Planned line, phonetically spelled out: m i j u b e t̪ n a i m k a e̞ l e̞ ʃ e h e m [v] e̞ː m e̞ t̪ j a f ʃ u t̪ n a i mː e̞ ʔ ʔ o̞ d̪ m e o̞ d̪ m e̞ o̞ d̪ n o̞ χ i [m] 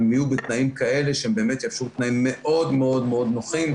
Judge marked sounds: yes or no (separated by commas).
no, yes